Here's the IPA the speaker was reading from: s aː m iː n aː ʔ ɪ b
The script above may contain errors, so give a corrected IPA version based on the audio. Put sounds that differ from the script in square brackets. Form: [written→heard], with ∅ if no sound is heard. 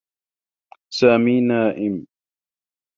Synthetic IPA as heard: s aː m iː n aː ʔ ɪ [b→m]